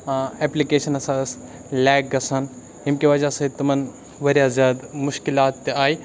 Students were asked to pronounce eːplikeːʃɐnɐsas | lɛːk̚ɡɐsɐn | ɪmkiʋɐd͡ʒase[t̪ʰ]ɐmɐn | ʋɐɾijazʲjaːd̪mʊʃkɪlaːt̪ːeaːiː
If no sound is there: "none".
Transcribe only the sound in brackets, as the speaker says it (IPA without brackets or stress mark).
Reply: t̪